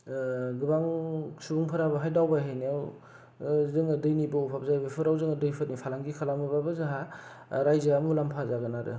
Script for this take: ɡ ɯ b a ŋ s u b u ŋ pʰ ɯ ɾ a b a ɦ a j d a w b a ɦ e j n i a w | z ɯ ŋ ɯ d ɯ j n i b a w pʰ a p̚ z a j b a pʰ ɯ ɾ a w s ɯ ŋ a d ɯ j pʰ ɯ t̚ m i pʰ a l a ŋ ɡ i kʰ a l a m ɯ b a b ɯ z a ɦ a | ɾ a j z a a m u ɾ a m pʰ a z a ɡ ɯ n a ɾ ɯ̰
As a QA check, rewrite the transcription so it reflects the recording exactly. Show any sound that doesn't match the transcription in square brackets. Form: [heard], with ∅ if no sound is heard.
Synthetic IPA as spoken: ɡ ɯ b a ŋ s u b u ŋ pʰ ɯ ɾ a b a ɦ a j d a w b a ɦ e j n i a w | z ɯ ŋ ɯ d ɯ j n i b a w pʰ a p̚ z a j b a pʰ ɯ ɾ a w [z] ɯ ŋ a d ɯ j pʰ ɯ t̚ [n] i pʰ a l a ŋ ɡ i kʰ a l a m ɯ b a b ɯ z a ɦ a | ɾ a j z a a m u [l] a m pʰ a z a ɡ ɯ n a ɾ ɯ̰